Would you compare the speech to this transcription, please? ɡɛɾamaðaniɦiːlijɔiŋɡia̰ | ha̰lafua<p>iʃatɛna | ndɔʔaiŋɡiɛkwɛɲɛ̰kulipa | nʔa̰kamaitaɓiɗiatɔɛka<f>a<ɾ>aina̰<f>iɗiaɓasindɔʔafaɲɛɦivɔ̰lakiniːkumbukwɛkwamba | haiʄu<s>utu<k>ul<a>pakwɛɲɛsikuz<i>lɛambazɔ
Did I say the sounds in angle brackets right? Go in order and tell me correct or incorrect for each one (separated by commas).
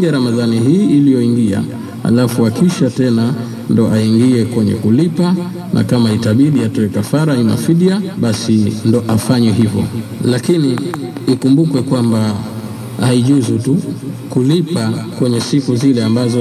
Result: incorrect, correct, correct, correct, incorrect, correct, incorrect, correct